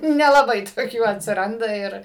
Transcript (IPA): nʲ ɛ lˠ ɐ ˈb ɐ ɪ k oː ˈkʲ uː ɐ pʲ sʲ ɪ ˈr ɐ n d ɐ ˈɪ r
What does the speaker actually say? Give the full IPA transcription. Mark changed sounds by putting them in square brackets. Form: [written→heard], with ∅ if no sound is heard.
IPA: nʲ ɛ lˠ ɐ ˈb ɐ ɪ [k→t] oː ˈkʲ uː ɐ [pʲ→tʲ] sʲ ɪ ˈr ɐ n d ɐ ˈɪ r